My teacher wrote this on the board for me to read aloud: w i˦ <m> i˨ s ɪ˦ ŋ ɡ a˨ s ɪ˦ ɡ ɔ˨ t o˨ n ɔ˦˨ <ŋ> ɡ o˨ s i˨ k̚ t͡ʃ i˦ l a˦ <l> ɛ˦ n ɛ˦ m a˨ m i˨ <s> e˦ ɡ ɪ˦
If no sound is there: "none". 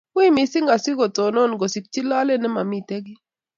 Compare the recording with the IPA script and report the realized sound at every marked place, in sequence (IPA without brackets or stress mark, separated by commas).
m, n, l, t